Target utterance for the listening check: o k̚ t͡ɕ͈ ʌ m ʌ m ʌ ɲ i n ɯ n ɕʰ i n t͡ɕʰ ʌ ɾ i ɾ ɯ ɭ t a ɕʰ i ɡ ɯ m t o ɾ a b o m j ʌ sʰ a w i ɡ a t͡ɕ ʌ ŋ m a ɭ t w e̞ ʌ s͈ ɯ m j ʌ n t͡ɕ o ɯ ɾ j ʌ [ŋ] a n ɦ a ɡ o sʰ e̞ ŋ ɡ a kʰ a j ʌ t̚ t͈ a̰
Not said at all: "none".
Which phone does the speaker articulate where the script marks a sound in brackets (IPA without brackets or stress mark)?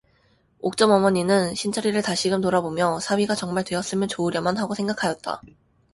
m